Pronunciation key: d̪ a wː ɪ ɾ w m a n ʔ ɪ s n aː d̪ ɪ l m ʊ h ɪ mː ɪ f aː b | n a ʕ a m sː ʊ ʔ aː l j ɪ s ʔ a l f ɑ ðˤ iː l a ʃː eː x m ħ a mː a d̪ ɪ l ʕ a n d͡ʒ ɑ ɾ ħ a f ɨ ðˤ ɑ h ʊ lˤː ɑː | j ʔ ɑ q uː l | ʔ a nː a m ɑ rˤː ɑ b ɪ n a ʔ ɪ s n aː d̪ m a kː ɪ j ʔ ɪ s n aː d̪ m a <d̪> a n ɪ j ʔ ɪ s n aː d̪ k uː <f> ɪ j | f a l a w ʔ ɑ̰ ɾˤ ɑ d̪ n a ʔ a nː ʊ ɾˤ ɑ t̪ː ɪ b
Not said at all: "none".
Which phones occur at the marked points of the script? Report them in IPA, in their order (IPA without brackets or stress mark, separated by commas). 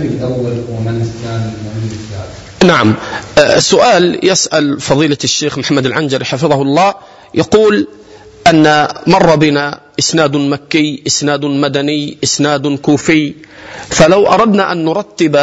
d̪, f